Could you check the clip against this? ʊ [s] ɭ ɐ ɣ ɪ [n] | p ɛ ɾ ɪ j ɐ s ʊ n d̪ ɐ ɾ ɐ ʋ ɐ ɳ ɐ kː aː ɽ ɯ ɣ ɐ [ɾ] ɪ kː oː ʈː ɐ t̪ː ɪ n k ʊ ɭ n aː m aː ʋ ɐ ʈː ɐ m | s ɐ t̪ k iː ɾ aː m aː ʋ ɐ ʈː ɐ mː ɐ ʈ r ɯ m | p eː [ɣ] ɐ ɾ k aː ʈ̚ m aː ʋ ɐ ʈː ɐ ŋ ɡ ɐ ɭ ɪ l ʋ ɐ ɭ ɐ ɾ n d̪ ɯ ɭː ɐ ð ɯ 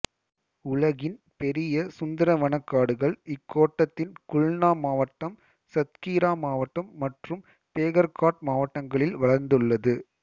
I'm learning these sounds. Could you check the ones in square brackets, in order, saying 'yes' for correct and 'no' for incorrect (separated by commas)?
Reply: no, yes, no, yes